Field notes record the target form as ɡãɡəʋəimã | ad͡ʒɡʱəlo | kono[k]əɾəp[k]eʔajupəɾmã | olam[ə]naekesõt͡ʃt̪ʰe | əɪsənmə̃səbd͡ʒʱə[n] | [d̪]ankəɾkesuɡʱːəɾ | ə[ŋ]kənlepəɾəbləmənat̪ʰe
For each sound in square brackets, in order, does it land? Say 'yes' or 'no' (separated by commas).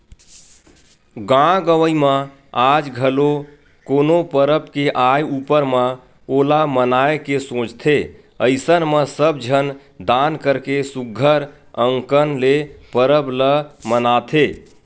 no, yes, yes, yes, yes, yes